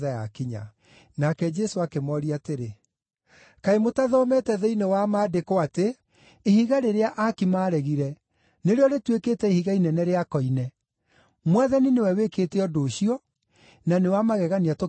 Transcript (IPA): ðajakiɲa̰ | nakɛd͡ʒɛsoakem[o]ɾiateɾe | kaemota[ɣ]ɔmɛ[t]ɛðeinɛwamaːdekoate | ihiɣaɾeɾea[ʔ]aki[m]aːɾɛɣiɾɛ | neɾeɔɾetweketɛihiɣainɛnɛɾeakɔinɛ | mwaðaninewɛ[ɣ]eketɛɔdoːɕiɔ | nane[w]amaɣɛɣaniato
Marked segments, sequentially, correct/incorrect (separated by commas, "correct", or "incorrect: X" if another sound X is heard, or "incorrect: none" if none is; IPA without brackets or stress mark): incorrect: ɔ, incorrect: ð, correct, correct, correct, incorrect: w, correct